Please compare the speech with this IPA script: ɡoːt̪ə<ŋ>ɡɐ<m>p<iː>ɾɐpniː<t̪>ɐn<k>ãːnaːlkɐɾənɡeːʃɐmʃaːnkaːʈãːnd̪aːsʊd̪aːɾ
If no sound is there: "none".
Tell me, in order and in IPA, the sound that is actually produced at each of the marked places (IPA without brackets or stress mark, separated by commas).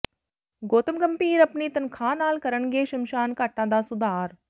m, m, iː, t̪, kʰ